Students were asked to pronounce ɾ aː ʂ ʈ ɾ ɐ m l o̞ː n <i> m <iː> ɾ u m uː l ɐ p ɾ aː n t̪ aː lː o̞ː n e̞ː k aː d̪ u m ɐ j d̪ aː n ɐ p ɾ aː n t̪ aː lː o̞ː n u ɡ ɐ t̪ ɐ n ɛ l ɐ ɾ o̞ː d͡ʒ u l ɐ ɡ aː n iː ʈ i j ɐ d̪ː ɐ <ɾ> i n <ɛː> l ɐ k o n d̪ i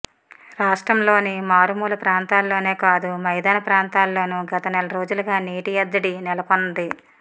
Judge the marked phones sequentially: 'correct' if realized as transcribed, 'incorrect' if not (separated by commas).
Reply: correct, incorrect, incorrect, incorrect